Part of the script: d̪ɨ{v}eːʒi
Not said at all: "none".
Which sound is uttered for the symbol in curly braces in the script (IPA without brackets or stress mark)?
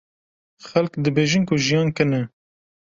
b